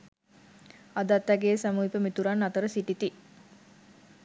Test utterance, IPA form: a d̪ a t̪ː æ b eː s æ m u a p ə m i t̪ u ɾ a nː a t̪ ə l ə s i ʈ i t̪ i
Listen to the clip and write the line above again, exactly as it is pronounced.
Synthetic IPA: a d̪ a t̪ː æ ɡ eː s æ m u i p ə m i t̪ u ɾ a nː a t̪ ə ɾ ə s i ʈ i t̪ i

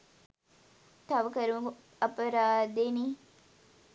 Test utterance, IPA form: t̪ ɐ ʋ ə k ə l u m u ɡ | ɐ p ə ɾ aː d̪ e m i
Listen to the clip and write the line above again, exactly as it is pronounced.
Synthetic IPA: t̪ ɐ ʋ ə k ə ɾ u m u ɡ | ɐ p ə ɾ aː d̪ e n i

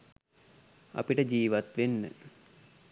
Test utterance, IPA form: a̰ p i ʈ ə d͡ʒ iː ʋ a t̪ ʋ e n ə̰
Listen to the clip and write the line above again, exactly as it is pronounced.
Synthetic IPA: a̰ p i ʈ ə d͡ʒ iː ʋ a t̪ ʋ e nː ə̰

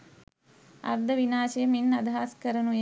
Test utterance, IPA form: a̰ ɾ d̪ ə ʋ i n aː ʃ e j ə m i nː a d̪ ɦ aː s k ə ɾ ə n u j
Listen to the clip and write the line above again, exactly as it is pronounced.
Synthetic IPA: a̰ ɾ d̪ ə ʋ i n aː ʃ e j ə m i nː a d̪ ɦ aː s k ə ɾ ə n u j

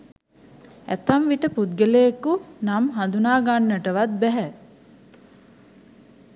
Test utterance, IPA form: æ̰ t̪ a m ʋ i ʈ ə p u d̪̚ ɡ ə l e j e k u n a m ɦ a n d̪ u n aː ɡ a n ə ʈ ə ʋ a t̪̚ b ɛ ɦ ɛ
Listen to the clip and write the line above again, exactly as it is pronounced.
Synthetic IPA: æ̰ t̪ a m ʋ i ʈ ə p u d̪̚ ɡ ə l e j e k u n a m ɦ a n d̪ u n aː ɡ a nː ə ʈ ə ʋ a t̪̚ b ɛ ɦ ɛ

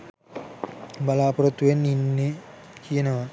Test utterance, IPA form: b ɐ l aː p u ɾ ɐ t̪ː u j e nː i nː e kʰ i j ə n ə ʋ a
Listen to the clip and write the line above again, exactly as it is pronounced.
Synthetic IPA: b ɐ l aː p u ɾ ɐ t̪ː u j e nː i nː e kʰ i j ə n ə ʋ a

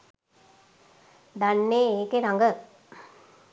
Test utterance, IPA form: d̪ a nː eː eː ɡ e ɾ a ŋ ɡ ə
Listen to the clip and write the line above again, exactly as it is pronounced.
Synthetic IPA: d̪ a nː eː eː k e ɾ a ŋ ɡ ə

